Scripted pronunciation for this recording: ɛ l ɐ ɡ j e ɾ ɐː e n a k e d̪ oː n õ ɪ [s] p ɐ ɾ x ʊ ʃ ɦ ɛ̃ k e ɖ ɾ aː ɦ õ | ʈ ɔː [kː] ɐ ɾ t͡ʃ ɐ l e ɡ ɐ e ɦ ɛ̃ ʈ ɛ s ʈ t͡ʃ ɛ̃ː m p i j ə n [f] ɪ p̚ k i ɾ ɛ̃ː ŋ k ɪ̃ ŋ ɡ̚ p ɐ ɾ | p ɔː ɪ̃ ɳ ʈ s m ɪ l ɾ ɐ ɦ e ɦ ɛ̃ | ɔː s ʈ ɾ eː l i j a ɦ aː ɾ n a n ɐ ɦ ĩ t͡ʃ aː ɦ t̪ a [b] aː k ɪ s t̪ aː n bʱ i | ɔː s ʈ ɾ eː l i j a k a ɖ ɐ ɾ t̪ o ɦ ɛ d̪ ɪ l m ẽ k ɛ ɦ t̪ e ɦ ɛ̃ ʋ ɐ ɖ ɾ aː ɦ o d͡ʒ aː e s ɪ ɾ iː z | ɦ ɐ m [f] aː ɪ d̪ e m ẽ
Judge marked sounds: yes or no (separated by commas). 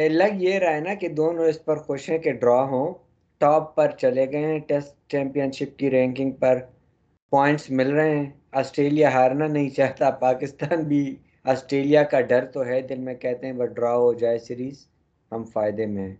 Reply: yes, no, no, no, yes